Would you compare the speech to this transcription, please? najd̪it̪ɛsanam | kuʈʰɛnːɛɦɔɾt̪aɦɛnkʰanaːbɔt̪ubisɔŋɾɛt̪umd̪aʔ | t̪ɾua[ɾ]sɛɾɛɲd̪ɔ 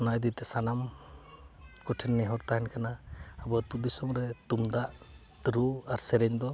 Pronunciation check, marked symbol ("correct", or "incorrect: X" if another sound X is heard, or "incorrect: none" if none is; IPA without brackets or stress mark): correct